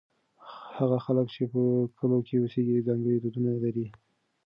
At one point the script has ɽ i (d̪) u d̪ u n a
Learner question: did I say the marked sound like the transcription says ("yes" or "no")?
yes